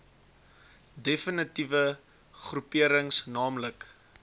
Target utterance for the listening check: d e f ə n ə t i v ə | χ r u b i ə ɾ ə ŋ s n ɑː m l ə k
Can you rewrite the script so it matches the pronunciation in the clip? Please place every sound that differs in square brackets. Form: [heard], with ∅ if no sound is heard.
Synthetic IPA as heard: d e f ə n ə t i v ə | χ r u [p] i ə ɾ ə ŋ s n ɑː m l ə k